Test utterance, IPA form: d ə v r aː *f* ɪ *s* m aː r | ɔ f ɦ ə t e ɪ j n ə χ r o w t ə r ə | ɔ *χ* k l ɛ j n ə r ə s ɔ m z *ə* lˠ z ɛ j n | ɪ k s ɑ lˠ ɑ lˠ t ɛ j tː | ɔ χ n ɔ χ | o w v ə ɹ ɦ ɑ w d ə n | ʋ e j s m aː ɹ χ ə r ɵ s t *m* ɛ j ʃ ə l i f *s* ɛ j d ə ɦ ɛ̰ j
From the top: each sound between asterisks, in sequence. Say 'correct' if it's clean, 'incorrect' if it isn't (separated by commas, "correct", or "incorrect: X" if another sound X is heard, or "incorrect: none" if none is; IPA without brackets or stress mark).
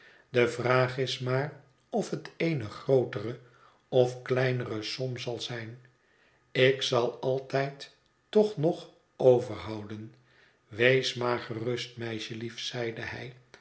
incorrect: χ, correct, incorrect: f, incorrect: ɑ, correct, correct